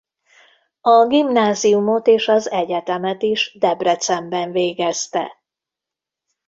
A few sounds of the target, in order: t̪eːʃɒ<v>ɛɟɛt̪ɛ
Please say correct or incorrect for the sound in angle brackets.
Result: incorrect